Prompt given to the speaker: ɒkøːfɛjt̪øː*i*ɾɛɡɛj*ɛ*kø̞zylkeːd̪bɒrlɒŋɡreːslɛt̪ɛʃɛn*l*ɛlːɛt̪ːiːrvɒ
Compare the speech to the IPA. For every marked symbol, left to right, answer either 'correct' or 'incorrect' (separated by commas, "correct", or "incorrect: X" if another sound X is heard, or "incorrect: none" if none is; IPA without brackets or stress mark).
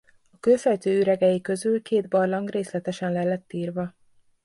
incorrect: y, incorrect: i, correct